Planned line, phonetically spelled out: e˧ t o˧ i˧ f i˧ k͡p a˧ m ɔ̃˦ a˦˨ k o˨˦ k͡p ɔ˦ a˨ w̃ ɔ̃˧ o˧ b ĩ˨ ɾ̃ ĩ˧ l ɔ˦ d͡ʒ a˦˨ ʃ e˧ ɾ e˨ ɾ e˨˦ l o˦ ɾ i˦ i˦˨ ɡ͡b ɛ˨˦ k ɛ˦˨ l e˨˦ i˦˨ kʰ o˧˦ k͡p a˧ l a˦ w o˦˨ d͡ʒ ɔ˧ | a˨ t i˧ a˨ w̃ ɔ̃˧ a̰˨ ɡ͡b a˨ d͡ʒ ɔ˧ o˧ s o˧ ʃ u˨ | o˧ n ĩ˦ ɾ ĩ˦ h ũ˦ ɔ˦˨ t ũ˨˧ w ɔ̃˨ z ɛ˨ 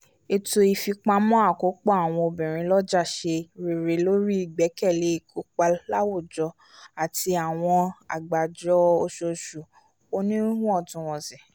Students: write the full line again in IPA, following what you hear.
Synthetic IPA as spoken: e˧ t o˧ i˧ f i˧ k͡p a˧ m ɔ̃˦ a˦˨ k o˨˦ k͡p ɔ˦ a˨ w̃ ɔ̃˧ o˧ b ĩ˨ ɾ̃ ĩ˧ l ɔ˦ d͡ʒ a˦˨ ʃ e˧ ɾ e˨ ɾ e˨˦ l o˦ ɾ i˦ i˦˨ ɡ͡b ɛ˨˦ k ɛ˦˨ l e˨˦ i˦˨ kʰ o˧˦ k͡p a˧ l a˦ w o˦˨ d͡ʒ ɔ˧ | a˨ t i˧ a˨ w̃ ɔ̃˧ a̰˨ ɡ͡b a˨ d͡ʒ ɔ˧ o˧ ʃ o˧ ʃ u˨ | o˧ n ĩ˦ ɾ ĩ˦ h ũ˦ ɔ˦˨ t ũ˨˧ w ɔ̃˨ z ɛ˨